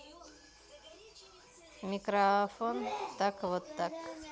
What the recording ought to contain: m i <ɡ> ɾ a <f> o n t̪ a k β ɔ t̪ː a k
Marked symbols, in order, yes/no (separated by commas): no, yes